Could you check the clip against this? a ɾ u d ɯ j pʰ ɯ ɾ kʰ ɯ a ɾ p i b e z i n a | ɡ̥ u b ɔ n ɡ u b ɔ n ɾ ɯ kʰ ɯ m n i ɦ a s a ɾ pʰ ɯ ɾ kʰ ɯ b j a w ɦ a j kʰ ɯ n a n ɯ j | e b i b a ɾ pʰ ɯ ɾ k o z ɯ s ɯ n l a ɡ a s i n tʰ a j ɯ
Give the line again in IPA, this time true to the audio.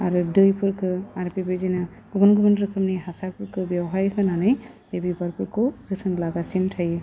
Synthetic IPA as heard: a ɾ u d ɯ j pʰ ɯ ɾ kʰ ɯ a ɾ p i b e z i n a | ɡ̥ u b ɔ n ɡ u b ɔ n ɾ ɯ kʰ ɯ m n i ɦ a s a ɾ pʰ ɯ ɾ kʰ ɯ b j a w ɦ a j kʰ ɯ n a n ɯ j | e b i b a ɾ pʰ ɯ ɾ k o z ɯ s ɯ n l a ɡ a s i n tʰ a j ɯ

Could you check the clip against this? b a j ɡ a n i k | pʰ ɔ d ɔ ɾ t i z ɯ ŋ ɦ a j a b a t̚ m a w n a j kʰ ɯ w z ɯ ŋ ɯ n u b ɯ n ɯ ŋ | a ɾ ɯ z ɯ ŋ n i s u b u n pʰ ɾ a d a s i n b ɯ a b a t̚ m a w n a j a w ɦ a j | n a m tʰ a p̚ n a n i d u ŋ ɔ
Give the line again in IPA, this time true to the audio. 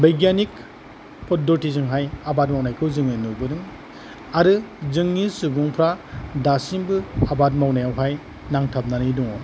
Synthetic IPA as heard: b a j ɡ a n i k | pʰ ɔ d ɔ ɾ t i z ɯ ŋ ɦ a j a b a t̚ m a w n a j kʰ ɯ w z ɯ ŋ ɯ n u b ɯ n ɯ ŋ | a ɾ ɯ z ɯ ŋ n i s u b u ŋ pʰ ɾ a d a s i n b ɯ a b a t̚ m a w n a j a w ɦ a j | n a ŋ tʰ a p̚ n a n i d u ŋ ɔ

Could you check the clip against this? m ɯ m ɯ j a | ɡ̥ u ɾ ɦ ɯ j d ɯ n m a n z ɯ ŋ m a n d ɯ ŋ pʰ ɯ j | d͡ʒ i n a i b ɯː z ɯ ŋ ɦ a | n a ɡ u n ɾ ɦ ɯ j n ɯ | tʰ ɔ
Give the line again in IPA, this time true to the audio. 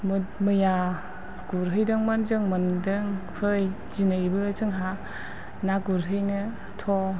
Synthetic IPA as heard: m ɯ m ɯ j a | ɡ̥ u ɾ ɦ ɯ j d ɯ ŋ m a n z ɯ ŋ m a n d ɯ ŋ pʰ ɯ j | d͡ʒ i n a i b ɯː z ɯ ŋ ɦ a | n a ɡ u ɾ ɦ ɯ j n ɯ | tʰ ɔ

